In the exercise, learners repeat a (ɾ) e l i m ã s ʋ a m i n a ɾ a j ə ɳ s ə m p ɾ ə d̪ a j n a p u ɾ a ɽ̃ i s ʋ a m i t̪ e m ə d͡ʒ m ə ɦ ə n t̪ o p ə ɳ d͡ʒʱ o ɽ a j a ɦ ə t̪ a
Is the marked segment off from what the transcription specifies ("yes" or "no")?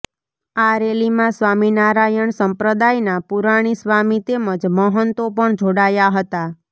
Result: no